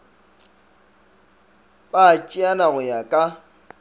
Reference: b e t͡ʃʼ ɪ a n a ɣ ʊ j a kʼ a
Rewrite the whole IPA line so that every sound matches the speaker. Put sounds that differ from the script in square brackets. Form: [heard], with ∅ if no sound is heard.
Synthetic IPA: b [a] t͡ʃʼ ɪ a n a ɣ ʊ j a kʼ a